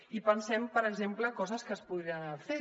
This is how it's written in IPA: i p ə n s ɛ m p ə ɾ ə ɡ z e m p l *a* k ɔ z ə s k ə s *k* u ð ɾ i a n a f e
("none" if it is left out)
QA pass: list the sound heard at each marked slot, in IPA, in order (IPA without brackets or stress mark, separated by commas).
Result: ə, p